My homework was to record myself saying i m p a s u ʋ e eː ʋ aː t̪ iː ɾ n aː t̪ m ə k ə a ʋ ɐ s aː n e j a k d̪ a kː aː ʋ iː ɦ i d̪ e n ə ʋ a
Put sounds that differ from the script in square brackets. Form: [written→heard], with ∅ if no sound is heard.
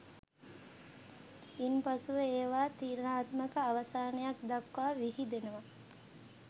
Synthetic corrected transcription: i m p a s u ʋ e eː ʋ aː t̪ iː ɾ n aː t̪ m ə k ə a ʋ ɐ s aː n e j a k d̪ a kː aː ʋ [iː→i] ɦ i d̪ e n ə ʋ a